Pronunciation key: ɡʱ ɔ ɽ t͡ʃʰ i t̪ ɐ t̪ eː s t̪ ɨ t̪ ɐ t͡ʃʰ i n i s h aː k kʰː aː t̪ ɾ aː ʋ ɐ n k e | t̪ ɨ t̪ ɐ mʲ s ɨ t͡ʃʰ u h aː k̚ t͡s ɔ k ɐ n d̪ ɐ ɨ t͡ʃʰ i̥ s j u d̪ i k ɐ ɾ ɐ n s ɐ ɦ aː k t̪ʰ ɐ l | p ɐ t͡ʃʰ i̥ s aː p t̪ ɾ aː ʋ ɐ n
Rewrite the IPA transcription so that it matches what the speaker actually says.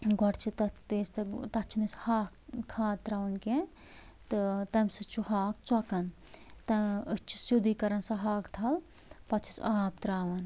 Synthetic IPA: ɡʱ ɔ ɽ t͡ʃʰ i t̪ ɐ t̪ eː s t̪ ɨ t̪ ɐ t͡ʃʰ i n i s h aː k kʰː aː t̪ ɾ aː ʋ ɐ n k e | t̪ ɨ t̪ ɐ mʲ s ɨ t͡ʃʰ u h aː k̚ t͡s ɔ k ɐ n t̪ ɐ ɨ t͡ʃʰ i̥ s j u d̪ i k ɐ ɾ ɐ n s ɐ ɦ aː k t̪ʰ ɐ l | p ɐ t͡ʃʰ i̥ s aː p t̪ ɾ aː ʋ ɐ n

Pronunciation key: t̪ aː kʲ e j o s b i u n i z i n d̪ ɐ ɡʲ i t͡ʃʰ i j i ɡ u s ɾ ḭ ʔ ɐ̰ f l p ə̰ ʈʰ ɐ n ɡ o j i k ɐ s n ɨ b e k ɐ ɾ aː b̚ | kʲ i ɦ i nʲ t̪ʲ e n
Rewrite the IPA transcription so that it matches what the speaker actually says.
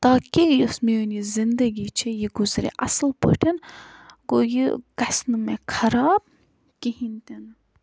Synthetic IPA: t̪ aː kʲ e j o s m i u n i z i n d̪ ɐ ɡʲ i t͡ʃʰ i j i ɡ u z ɾ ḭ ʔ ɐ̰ s l p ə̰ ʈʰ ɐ n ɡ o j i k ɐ s n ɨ m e kʰ ɐ ɾ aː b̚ | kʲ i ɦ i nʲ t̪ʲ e n

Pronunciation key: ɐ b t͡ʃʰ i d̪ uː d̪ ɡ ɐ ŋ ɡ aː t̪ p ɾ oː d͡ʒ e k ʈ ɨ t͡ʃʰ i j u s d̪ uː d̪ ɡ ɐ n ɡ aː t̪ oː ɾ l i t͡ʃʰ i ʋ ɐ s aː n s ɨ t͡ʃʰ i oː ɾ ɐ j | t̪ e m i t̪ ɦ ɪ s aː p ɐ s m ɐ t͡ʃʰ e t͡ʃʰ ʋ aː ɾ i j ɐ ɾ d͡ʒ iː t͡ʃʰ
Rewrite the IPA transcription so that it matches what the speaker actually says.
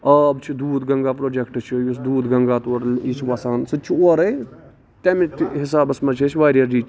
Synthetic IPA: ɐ b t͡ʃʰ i d̪ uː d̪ ɡ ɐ ŋ ɡ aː p ɾ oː d͡ʒ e k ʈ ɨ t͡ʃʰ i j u s d̪ uː d̪ ɡ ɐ ŋ ɡ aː t̪ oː ɾ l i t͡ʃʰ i ʋ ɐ s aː n s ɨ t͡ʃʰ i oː ɾ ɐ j | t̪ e m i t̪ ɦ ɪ s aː b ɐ s m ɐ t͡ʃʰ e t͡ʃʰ ʋ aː ɾ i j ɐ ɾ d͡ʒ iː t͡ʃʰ

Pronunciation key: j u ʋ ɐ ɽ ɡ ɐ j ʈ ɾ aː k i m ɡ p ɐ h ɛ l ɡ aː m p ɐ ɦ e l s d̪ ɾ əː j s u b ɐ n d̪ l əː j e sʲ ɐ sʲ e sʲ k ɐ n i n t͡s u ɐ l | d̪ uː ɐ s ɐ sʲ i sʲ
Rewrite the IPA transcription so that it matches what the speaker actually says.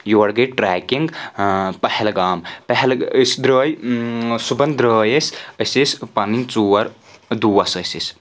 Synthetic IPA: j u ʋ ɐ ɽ ɡ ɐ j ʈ ɾ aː k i ŋ ɡ p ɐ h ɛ l ɡ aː m p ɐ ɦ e l s d̪ ɾ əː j s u b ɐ n d̪ ɾ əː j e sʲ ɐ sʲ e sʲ p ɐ n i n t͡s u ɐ ɾ | d̪ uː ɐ s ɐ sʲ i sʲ

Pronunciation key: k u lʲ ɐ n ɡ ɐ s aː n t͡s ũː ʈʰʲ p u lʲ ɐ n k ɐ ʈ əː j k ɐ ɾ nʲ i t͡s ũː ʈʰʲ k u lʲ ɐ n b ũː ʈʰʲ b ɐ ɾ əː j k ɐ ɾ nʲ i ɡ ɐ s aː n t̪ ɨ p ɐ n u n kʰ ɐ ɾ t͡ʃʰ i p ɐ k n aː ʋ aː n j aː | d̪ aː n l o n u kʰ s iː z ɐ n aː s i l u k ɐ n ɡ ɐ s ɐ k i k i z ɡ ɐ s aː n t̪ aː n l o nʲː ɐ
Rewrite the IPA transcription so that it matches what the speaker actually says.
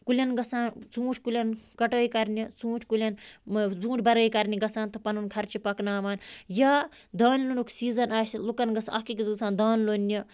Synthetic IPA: k u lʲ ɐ n ɡ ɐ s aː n t͡s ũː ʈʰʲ k u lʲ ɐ n k ɐ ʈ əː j k ɐ ɾ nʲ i t͡s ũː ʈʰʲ k u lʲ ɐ n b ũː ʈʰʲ b ɐ ɾ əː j k ɐ ɾ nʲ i ɡ ɐ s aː n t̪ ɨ p ɐ n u n kʰ ɐ ɾ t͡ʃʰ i p ɐ k n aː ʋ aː n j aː | d̪ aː n l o n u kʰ s iː z ɐ n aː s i l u k ɐ n ɡ ɐ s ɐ k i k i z ɡ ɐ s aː n d̪ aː n l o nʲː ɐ

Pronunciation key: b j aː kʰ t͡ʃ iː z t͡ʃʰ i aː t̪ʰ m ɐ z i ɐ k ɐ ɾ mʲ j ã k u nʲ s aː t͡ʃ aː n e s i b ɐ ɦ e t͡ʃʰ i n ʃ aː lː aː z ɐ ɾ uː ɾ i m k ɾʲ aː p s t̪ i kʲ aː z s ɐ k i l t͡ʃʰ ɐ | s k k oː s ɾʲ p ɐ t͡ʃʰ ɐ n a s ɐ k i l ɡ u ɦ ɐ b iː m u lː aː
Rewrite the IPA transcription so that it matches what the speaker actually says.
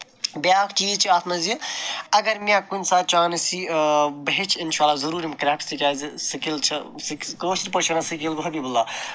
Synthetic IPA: b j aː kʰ t͡ʃ iː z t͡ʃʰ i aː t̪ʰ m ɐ z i ɐ ɡ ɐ ɾ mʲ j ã k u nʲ s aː t͡ʃ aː n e s i b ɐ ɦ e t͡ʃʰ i n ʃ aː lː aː z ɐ ɾ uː ɾ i m k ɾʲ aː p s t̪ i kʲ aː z s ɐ k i l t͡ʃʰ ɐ | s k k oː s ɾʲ p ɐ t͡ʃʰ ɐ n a s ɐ k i l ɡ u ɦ ɐ b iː b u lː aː

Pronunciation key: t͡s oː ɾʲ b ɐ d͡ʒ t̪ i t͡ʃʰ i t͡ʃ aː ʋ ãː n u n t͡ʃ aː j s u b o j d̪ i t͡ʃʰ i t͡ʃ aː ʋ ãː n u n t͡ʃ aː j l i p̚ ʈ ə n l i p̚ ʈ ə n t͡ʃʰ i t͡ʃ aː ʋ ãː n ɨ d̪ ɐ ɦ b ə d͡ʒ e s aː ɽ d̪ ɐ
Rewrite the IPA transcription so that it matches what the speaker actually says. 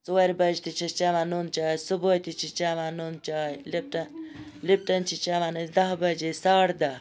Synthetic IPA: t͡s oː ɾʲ b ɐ d͡ʒ t̪ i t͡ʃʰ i t͡ʃ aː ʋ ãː n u n t͡ʃ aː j s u b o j t̪ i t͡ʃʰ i t͡ʃ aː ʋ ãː n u n t͡ʃ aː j l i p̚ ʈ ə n l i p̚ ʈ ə n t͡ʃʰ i t͡ʃ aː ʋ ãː n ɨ d̪ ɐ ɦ b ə d͡ʒ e s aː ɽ d̪ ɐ

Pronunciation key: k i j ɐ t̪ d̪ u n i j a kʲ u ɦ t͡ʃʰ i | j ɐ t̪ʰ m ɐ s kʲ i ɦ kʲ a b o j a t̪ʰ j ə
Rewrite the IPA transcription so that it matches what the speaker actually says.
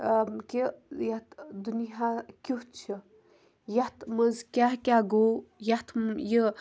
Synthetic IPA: k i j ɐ t̪ d̪ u n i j a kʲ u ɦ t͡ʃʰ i | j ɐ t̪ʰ m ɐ z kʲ a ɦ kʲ a ɡ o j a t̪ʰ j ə

